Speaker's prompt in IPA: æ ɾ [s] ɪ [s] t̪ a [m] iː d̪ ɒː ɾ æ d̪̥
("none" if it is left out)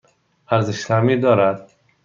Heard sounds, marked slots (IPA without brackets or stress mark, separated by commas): z, ʃ, m